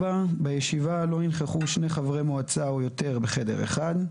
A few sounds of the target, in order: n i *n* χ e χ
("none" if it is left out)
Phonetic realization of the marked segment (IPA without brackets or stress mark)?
n